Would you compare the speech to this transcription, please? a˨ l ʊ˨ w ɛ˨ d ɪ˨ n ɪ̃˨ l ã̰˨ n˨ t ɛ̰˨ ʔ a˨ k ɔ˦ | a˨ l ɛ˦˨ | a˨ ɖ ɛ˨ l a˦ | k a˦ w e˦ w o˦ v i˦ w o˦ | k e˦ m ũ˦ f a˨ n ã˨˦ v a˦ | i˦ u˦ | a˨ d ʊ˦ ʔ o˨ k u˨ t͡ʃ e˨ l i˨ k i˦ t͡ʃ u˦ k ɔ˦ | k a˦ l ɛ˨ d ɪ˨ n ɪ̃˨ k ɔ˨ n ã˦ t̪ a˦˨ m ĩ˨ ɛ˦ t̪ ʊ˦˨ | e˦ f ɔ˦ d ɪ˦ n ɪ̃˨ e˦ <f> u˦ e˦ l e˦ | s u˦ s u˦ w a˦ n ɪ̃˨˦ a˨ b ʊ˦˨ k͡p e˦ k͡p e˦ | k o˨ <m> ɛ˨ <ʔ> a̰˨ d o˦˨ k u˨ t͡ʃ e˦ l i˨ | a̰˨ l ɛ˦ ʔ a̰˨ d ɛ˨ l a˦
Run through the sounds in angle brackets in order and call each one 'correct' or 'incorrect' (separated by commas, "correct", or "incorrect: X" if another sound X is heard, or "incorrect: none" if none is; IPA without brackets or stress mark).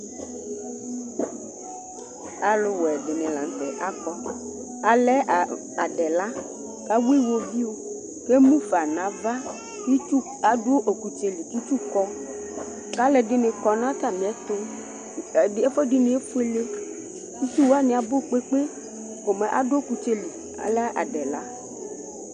correct, correct, correct